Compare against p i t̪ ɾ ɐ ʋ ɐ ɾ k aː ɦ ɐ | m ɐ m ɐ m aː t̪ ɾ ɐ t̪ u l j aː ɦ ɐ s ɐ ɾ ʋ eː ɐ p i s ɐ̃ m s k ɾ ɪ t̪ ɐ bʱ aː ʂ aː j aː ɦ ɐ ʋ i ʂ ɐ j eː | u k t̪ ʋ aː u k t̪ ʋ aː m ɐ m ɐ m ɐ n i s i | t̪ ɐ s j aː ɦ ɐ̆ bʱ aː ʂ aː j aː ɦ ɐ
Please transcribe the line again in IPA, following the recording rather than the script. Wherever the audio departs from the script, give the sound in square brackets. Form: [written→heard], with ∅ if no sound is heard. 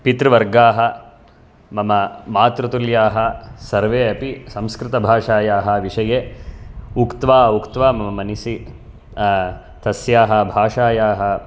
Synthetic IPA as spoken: p i t̪ ɾ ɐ ʋ ɐ ɾ [k→ɡ] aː ɦ ɐ | m ɐ m ɐ m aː t̪ ɾ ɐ t̪ u l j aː ɦ ɐ s ɐ ɾ ʋ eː ɐ p i s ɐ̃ m s k ɾ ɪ t̪ ɐ bʱ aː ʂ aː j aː ɦ ɐ ʋ i ʂ ɐ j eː | u k t̪ ʋ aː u k t̪ ʋ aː m ɐ m ɐ m ɐ n i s i | t̪ ɐ s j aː ɦ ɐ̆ bʱ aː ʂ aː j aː ɦ ɐ